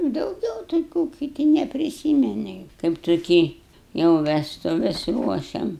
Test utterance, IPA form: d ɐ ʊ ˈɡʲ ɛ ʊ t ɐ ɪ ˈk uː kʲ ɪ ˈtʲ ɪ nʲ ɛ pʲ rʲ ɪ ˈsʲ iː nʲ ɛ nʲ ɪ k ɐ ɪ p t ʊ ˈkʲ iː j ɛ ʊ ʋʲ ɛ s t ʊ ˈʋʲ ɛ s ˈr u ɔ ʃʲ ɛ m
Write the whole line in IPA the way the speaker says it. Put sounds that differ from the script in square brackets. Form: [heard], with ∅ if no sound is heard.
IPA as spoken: d ɐ ʊ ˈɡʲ ɛ ʊ t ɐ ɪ ˈk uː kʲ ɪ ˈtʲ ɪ nʲ ɛ pʲ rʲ ɪ ˈsʲ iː [mʲ] ɛ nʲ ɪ k ɐ ɪ p t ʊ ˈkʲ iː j ɛ ʊ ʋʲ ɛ s t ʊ ˈʋʲ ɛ s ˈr u ɔ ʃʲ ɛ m

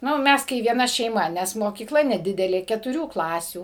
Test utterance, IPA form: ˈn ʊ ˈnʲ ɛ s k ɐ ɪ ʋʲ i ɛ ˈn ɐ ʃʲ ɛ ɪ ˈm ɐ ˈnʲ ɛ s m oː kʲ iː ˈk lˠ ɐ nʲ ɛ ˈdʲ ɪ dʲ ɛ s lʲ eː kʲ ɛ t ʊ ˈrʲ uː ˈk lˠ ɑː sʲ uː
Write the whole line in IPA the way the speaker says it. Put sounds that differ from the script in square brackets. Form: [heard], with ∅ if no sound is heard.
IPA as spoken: ˈn ʊ [ˈmʲ] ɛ s k ɐ ɪ ʋʲ i ɛ ˈn ɐ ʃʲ ɛ ɪ ˈm ɐ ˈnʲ ɛ s m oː kʲ iː ˈk lˠ ɐ nʲ ɛ ˈdʲ ɪ dʲ ɛ [∅] lʲ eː kʲ ɛ t ʊ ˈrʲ uː ˈk lˠ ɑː sʲ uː

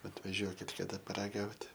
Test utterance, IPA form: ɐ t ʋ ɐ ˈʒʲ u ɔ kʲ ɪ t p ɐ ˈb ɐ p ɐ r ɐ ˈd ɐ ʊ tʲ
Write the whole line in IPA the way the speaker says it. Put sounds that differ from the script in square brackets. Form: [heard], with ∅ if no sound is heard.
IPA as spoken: ɐ t ʋ ɐ ˈʒʲ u ɔ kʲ ɪ t [k] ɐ [ˈd] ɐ p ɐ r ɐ [ˈɡ] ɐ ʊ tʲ

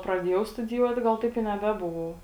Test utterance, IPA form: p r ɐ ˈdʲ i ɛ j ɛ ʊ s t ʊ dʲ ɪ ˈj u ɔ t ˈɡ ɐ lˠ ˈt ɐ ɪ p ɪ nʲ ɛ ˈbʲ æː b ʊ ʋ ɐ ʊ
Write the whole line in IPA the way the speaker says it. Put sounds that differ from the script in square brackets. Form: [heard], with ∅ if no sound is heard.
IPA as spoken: p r ɐ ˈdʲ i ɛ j ɛ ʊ s t ʊ dʲ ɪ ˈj u ɔ t ˈɡ ɐ lˠ ˈt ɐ ɪ p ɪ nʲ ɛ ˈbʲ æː b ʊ ʋ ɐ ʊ

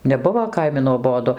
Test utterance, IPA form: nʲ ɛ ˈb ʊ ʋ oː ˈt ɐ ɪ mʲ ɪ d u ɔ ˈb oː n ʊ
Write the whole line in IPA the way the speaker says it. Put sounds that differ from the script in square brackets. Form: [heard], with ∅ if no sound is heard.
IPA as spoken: nʲ ɛ ˈb ʊ ʋ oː [ˈk] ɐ ɪ mʲ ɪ [n] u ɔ ˈb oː [d] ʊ

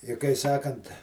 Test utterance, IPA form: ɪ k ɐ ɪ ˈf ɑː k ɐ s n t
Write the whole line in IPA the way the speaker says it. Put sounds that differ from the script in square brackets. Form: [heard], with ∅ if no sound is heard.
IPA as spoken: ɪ k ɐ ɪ [ˈs] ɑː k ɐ [∅] n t

